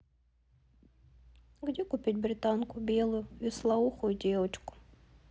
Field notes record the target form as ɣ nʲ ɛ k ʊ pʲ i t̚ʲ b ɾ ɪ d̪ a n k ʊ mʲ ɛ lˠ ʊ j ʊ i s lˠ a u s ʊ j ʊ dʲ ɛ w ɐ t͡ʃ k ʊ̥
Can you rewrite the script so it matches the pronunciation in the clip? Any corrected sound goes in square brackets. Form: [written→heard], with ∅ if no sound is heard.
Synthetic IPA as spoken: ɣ [nʲ→dʲ] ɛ k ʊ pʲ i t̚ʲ b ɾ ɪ [d̪→t̪] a n k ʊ [mʲ→bʲ] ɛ lˠ ʊ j ʊ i s lˠ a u [s→x] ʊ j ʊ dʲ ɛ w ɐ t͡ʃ k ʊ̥